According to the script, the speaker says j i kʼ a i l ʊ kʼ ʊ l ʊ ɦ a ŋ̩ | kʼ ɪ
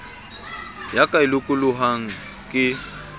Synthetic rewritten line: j a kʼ a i l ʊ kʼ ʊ l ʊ ɦ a ŋ̩ | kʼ ɪ